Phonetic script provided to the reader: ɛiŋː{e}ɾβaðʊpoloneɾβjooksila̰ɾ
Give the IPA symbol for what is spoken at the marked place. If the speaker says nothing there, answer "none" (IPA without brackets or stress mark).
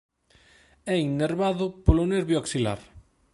e